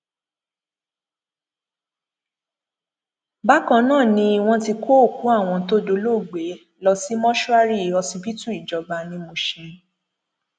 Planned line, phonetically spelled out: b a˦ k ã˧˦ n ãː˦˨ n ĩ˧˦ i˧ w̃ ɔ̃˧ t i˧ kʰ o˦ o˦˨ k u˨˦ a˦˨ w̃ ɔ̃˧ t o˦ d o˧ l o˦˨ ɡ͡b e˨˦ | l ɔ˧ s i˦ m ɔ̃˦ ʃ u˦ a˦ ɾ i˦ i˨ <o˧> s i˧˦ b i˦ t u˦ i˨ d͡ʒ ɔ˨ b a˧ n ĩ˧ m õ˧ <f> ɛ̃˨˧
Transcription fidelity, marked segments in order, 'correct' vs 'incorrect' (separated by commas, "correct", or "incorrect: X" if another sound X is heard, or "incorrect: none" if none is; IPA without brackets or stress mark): incorrect: ɔ˧, incorrect: ʃ